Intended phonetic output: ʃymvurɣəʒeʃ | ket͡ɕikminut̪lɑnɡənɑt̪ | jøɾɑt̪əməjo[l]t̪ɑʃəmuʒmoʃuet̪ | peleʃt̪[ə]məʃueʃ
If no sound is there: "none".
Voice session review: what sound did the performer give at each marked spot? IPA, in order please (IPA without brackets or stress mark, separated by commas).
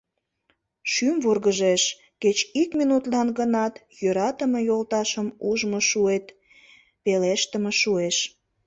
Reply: l, ə